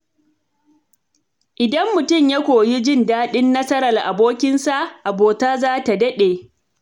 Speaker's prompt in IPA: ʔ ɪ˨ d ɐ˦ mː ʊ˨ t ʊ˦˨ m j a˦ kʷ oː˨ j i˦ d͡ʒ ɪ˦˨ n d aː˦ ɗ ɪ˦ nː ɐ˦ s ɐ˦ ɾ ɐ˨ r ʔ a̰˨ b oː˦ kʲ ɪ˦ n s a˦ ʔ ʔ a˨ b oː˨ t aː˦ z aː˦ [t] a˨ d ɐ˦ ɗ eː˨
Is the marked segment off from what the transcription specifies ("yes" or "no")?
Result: no